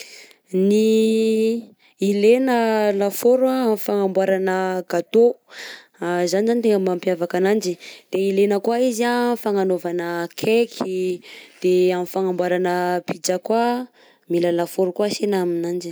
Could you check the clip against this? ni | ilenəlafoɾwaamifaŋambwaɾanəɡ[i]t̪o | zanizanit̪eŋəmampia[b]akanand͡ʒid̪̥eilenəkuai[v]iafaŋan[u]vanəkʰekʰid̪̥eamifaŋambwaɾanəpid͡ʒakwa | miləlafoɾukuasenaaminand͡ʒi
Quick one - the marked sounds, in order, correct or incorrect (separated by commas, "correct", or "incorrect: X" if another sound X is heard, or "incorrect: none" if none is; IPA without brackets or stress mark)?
incorrect: a, incorrect: v, incorrect: z, incorrect: o